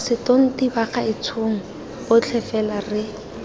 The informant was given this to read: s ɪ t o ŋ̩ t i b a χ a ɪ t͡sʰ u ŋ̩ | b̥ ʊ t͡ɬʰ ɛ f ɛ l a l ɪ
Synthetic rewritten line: s ɪ t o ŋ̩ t i b a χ a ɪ t͡sʰ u ŋ̩ | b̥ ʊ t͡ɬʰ ɛ f ɛ l a r ɪ